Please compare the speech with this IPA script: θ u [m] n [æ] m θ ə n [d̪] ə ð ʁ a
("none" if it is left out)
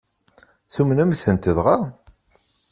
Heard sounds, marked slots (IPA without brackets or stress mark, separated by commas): m, æ, t̪